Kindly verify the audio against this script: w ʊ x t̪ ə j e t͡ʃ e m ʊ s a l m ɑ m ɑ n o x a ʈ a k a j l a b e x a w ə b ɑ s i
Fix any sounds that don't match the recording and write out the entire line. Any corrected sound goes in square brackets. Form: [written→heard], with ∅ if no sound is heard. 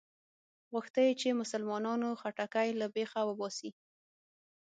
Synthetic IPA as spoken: [w→ɣ] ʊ x t̪ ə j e t͡ʃ e m ʊ s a l m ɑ [m→n] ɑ n o x a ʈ a k a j l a b e x a w ə b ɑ s i